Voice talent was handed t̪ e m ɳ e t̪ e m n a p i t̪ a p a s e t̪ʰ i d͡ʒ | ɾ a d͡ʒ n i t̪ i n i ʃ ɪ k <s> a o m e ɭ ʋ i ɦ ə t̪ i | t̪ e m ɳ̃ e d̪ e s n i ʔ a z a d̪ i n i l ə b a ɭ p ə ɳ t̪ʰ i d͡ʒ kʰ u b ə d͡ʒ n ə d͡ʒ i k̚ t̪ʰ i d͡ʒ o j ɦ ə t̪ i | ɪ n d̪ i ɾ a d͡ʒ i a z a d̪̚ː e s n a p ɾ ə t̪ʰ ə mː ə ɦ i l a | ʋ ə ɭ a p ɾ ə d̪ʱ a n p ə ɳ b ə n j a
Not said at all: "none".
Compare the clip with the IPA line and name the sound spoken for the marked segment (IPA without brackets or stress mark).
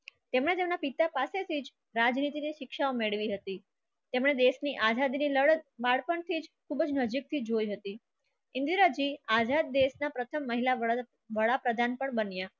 ʃ